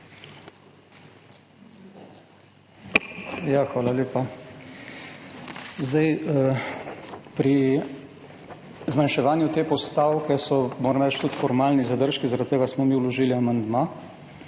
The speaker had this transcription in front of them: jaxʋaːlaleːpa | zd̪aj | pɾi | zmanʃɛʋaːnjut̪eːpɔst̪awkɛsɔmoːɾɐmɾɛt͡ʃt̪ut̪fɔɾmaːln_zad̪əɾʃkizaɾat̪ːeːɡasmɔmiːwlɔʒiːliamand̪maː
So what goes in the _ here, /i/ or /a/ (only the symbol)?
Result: i